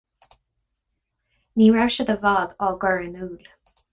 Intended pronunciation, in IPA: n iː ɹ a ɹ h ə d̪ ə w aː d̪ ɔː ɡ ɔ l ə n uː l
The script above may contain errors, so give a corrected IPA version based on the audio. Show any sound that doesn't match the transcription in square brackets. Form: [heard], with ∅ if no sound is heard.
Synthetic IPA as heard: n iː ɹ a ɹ [ʃ] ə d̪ ə [v] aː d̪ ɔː ɡ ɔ [ɹ] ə n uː l